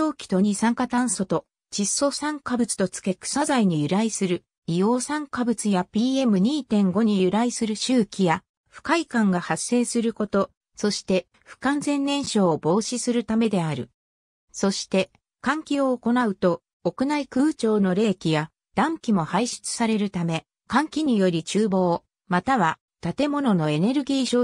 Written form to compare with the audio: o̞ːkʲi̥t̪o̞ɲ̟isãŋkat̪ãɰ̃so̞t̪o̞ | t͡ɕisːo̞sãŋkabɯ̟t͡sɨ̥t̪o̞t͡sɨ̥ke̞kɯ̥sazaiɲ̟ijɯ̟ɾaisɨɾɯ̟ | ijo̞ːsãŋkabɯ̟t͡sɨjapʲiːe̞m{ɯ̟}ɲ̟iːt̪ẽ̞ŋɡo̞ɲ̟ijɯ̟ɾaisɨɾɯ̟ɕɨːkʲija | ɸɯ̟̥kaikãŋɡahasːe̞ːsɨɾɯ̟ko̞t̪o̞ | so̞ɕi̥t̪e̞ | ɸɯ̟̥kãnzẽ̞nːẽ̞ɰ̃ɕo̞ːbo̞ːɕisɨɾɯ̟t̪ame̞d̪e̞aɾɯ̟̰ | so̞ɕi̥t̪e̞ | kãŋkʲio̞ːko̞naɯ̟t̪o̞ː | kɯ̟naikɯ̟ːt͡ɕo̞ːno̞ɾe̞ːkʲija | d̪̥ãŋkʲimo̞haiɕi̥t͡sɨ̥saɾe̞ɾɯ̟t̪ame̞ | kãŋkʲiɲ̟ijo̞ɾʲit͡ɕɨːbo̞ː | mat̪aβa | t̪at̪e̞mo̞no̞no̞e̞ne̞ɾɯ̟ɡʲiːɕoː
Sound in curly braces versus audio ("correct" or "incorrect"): correct